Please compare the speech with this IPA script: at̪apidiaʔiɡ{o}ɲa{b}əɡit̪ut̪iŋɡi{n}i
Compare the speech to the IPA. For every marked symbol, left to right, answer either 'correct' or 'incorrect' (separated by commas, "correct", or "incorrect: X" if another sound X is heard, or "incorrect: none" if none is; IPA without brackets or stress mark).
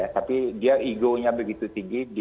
correct, correct, incorrect: d